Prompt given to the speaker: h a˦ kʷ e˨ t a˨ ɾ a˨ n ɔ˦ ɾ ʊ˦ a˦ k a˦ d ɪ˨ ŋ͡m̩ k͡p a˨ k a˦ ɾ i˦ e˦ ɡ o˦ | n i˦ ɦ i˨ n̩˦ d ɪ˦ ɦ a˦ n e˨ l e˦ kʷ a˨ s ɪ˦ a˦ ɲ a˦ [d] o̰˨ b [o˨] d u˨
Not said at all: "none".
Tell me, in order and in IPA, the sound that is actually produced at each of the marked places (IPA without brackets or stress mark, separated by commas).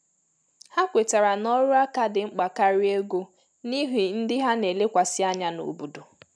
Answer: n, u˨